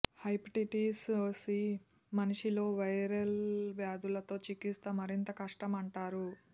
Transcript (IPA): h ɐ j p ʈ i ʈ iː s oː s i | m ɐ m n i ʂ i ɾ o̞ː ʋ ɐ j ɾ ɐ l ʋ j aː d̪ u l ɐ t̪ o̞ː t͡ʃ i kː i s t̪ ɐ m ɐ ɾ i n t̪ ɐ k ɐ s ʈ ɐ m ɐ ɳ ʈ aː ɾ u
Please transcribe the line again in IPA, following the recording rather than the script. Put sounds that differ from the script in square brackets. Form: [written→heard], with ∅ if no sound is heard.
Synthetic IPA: h ɐ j p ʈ i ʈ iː s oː s i | m ɐ [m→∅] n i ʂ i [ɾ→l] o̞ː ʋ ɐ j ɾ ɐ l ʋ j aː d̪ u l ɐ t̪ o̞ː t͡ʃ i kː i s t̪ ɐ m ɐ ɾ i n t̪ ɐ k ɐ [s→ʂ] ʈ ɐ m ɐ ɳ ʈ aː ɾ u

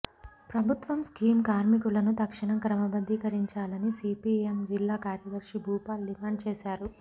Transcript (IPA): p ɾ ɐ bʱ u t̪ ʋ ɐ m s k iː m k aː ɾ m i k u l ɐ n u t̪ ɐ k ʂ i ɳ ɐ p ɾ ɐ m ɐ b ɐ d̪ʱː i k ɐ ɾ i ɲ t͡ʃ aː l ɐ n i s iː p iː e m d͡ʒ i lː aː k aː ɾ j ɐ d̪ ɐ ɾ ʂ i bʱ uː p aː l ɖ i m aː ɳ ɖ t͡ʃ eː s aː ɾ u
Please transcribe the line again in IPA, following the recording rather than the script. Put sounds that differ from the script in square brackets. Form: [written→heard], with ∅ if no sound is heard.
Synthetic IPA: p ɾ ɐ bʱ u t̪ ʋ ɐ m s k iː m k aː ɾ m i k u l ɐ n u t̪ ɐ k ʂ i ɳ ɐ [p→k] ɾ ɐ m ɐ b ɐ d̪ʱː i k ɐ ɾ i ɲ t͡ʃ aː l ɐ n i s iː p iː e m d͡ʒ i lː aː k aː ɾ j ɐ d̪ ɐ ɾ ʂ i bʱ uː p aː l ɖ i m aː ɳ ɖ t͡ʃ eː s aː ɾ u

